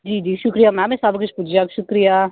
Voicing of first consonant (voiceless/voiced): voiced